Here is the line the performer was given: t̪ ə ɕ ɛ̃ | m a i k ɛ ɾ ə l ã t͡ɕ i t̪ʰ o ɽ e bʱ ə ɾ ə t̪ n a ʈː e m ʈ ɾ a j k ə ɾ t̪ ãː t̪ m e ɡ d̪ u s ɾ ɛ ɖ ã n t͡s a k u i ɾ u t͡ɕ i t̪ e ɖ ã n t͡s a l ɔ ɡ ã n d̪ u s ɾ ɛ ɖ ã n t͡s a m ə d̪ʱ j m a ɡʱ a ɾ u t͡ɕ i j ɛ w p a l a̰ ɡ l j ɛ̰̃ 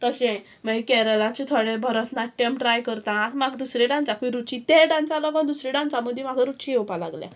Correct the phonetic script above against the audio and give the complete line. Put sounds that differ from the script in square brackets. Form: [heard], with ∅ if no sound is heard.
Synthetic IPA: t̪ ə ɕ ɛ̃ | m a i k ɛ ɾ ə l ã t͡ɕ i t̪ʰ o ɽ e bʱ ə ɾ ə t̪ n a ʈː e m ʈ ɾ a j k ə ɾ t̪ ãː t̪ m [a] ɡ d̪ u s ɾ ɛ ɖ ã n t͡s a k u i ɾ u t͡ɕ i t̪ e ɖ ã n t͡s a l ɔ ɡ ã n d̪ u s ɾ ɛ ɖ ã n t͡s a m ə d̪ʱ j m a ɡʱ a ɾ u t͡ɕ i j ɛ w p a l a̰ ɡ l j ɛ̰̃

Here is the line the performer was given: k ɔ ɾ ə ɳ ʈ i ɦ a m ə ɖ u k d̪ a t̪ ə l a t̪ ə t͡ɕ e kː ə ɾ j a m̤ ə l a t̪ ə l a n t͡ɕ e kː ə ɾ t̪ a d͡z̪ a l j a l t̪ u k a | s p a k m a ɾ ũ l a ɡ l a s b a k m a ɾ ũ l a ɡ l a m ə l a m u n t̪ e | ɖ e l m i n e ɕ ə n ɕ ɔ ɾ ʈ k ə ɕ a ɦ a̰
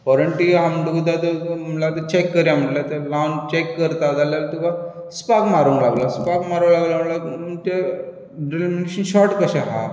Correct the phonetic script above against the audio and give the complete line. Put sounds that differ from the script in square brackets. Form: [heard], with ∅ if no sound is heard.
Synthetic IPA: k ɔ ɾ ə ɳ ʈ i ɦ a m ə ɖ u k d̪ a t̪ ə l a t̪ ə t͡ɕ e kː ə ɾ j a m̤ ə l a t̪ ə l a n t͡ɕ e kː ə ɾ t̪ a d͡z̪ a l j a l t̪ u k a | s p a k m a ɾ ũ l a ɡ l a s [p] a k m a ɾ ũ l a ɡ l a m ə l a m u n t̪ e | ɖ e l m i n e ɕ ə n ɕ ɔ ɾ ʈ k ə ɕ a ɦ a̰

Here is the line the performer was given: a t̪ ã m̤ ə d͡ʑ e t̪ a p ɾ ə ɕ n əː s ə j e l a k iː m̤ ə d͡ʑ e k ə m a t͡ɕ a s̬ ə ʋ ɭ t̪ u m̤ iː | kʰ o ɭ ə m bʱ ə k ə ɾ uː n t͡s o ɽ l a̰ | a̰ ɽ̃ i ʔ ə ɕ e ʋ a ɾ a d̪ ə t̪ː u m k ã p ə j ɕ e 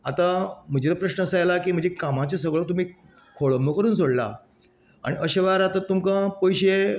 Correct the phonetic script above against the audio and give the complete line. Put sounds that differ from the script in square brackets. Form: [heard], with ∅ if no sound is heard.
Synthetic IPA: a t̪ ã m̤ ə d͡ʑ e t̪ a p ɾ ə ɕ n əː s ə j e l a k iː m̤ ə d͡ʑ e k [a] m a t͡ɕ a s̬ ə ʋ ɭ t̪ u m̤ iː | kʰ o ɭ ə m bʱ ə k ə ɾ uː n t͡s o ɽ l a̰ | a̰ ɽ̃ i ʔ ə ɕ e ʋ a ɾ a [t̪] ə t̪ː u m k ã p ə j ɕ e

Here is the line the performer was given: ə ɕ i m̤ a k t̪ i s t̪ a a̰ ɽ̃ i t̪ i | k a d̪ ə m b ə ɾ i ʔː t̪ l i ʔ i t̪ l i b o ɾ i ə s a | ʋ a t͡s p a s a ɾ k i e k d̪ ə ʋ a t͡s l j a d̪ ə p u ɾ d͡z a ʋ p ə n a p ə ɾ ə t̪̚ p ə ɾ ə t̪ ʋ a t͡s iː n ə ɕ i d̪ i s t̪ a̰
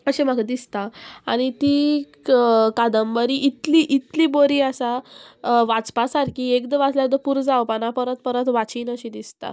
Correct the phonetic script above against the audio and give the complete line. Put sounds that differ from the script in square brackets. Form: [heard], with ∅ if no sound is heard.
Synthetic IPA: ə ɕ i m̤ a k [d̪] i s t̪ a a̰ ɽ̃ i t̪ i | k a d̪ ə m b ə ɾ i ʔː t̪ l i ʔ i t̪ l i b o ɾ i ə s a | ʋ a t͡s p a s a ɾ k i e k d̪ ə ʋ a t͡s l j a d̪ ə p u ɾ d͡z a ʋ p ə n a p ə ɾ ə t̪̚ p ə ɾ ə t̪ ʋ a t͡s iː n ə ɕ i d̪ i s t̪ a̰

